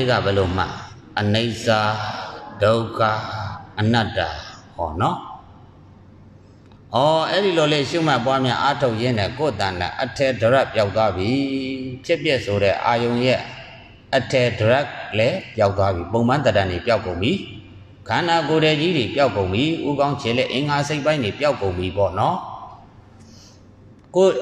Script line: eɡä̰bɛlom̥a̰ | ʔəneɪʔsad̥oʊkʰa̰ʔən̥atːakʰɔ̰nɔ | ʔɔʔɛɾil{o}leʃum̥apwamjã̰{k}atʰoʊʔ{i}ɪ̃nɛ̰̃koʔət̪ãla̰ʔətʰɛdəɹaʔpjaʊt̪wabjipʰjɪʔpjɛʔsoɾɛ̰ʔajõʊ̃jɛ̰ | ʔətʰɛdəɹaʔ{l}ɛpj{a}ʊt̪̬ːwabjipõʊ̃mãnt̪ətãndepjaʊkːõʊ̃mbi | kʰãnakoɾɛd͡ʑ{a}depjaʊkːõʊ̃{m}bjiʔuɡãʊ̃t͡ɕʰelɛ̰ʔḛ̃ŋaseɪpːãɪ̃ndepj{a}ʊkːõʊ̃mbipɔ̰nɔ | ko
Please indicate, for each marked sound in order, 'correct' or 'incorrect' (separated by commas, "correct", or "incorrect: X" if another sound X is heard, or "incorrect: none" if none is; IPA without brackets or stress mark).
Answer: correct, incorrect: ʔ, incorrect: j, correct, correct, incorrect: i, correct, correct